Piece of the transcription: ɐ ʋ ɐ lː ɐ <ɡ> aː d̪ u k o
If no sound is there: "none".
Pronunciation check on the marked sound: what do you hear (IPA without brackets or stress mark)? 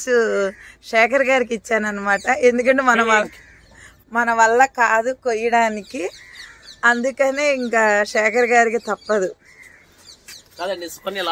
k